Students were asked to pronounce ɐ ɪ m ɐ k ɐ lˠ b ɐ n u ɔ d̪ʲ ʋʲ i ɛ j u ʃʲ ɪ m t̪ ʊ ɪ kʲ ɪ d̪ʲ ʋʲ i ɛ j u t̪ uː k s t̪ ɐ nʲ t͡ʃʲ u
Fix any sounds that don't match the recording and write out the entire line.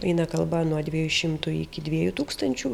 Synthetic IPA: ɐ ɪ n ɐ k ɐ lˠ b ɐ n u ɔ d̪ʲ ʋʲ i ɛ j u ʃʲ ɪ m t̪ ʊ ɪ kʲ ɪ d̪ʲ ʋʲ i ɛ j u t̪ uː k s t̪ ɐ nʲ t͡ʃʲ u

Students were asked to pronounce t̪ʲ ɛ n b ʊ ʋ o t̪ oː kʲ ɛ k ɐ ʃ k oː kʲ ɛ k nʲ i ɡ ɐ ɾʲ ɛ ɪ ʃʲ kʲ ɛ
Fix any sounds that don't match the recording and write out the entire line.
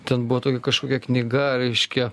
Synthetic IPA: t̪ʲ ɛ n b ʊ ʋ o t̪ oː kʲ ɛ k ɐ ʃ k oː kʲ ɛ k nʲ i ɡ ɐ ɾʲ ɛ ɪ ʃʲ kʲ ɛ

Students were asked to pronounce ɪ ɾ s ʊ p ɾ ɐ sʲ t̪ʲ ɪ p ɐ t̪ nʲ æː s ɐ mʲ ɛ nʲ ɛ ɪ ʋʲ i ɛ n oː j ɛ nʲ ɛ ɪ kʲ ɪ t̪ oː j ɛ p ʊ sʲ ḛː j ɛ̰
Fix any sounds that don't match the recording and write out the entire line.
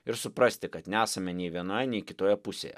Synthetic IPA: ɪ ɾ s ʊ p ɾ ɐ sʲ t̪ʲ ɪ k ɐ t̪ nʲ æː s ɐ mʲ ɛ nʲ ɛ ɪ ʋʲ i ɛ n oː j ɛ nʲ ɛ ɪ kʲ ɪ t̪ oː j ɛ p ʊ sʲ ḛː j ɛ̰

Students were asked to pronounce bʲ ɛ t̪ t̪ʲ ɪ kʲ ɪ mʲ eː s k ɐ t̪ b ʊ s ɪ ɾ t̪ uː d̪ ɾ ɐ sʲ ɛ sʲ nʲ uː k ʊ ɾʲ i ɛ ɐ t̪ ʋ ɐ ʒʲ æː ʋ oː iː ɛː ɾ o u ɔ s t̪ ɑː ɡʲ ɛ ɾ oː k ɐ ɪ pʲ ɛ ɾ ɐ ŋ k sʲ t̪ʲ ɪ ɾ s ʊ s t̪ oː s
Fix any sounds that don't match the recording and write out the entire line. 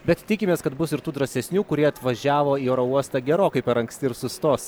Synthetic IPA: bʲ ɛ t̪ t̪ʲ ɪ kʲ ɪ mʲ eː s k ɐ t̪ b ʊ s ɪ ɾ t̪ uː d̪ ɾ ɐ sʲ ɛ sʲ nʲ uː k ʊ ɾʲ i ɛ ɐ t̪ ʋ ɐ ʒʲ æː ʋ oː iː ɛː ɾ o u ɔ s t̪ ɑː ɡʲ ɛ ɾ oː k ɐ ɪ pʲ ɛ ɾ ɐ ŋ k sʲ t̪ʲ ɪ ɾ s ʊ s t̪ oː s

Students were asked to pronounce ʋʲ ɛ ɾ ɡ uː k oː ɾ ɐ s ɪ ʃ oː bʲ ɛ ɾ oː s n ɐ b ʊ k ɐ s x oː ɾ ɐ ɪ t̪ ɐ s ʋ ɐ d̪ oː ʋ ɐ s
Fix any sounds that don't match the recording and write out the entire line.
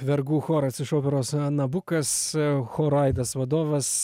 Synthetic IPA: ʋʲ ɛ ɾ ɡ uː x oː ɾ ɐ s ɪ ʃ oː pʲ ɛ ɾ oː s n ɐ b ʊ k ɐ s x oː ɾ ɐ ɪ d̪ ɐ s ʋ ɐ d̪ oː ʋ ɐ s

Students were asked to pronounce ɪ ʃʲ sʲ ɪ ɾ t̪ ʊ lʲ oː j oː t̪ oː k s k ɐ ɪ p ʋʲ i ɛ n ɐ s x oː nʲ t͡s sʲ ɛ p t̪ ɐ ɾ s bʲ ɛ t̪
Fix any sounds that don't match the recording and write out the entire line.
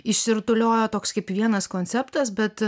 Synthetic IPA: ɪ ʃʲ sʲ ɪ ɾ t̪ ʊ lʲ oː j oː t̪ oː k s k ɐ ɪ p ʋʲ i ɛ n ɐ s k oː nʲ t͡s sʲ ɛ p t̪ ɐ s bʲ ɛ t̪

